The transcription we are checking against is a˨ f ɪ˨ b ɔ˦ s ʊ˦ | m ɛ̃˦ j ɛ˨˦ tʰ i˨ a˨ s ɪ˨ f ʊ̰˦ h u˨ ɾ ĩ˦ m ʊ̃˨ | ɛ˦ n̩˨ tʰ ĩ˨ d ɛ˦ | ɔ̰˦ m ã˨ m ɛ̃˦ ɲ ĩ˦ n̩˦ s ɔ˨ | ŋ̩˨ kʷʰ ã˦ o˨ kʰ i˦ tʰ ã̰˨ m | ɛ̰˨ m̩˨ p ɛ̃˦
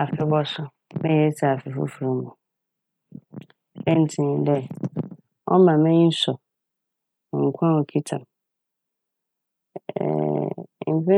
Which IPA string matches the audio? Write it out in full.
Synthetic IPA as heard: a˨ f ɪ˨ b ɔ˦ s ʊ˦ | m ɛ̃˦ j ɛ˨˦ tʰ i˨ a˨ f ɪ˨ f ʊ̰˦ f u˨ ɾ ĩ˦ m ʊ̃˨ | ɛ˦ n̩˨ tʰ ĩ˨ d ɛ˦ | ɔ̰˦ m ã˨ m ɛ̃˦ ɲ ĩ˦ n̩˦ s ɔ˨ | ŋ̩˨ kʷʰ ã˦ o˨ kʰ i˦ tʰ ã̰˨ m | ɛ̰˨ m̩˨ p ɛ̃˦